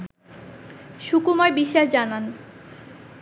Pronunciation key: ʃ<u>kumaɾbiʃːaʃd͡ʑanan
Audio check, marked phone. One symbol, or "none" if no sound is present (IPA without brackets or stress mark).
u